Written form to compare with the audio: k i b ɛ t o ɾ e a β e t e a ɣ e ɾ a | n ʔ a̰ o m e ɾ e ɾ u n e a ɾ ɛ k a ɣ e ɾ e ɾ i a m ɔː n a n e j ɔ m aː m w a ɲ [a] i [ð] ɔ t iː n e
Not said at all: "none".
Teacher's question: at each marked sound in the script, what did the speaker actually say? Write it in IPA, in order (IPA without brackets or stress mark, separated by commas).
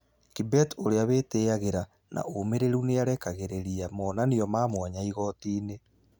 a, ɣ